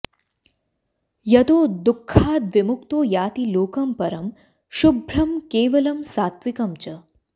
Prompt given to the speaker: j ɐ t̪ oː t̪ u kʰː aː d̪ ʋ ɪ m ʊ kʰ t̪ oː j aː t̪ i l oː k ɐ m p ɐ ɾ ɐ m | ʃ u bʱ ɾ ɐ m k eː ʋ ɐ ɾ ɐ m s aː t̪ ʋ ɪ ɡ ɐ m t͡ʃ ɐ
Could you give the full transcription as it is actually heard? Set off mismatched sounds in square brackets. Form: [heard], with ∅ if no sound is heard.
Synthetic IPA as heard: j ɐ t̪ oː [d̪] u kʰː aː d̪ ʋ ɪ m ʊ [k] t̪ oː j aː t̪ i l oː k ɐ m p ɐ ɾ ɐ m | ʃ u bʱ ɾ ɐ m k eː ʋ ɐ [l] ɐ m s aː t̪ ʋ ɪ [k] ɐ m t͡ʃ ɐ